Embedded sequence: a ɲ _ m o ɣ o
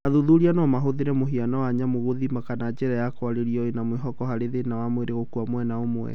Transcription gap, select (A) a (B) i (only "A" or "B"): A